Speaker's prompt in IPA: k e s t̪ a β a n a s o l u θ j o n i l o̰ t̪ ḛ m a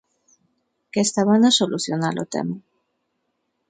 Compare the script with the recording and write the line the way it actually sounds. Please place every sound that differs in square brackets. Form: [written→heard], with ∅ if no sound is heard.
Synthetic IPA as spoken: k e s t̪ a β a n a s o l u θ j o n [i→a] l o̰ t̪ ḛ m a